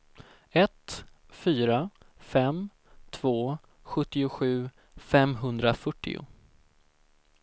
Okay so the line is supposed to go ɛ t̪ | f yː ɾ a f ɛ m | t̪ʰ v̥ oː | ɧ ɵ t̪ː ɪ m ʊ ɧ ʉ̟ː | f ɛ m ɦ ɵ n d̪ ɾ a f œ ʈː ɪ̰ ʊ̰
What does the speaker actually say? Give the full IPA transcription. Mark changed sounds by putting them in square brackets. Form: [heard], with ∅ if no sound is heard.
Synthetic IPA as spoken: ɛ t̪ | f yː ɾ a f ɛ m | t̪ʰ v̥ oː | ɧ ɵ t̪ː ɪ [∅] ʊ ɧ ʉ̟ː | f ɛ m ɦ ɵ n d̪ ɾ a f œ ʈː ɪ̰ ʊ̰